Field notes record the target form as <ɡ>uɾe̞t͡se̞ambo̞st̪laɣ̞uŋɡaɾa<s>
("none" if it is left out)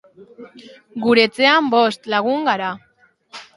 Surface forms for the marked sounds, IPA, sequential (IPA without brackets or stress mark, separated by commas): ɡ, none